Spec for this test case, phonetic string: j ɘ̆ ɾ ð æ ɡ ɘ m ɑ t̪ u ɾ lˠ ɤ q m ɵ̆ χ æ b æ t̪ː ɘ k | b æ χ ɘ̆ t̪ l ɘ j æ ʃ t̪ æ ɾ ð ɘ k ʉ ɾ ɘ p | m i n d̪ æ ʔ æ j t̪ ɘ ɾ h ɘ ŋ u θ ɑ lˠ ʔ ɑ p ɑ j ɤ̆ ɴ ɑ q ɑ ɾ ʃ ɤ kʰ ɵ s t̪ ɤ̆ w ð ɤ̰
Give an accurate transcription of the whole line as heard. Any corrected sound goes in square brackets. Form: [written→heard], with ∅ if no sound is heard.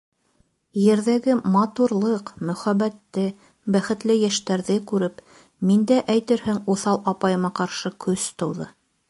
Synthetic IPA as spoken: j ɘ̆ ɾ ð æ ɡ ɘ m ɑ t̪ u ɾ lˠ ɤ q m ɵ̆ χ æ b æ t̪ː ɘ [k→∅] | b æ χ ɘ̆ t̪ l ɘ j æ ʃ t̪ æ ɾ ð ɘ k ʉ ɾ ɘ p | m i n d̪ æ ʔ æ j t̪ ɘ ɾ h ɘ ŋ u θ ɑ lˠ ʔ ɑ p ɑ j ɤ̆ [ɴ→m] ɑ q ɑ ɾ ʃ ɤ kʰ ɵ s t̪ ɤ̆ w ð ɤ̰